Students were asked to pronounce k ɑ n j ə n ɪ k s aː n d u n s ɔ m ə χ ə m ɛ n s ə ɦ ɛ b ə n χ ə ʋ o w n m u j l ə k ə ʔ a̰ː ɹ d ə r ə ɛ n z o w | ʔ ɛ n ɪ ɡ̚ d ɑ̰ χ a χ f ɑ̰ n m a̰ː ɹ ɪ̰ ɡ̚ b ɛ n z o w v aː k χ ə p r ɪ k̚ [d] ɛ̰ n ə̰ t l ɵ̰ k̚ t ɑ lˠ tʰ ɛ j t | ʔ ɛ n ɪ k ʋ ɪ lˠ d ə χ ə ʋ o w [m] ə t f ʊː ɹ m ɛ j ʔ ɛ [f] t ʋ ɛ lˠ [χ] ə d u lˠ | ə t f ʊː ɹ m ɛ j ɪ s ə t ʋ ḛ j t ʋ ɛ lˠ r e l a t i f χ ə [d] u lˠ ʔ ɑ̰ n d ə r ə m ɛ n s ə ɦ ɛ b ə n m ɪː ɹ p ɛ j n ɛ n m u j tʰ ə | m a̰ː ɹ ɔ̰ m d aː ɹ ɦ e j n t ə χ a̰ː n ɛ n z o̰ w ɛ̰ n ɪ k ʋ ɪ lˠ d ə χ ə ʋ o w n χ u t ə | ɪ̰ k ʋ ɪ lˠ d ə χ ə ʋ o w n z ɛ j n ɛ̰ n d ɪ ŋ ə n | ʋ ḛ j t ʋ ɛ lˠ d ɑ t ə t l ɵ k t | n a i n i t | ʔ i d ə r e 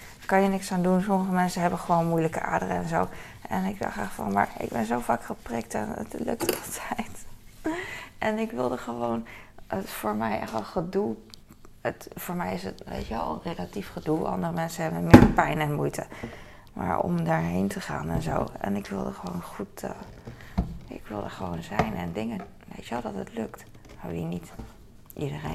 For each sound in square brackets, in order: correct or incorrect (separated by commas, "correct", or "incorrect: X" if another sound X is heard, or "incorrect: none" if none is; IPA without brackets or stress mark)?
incorrect: t, incorrect: n, incorrect: χ, correct, correct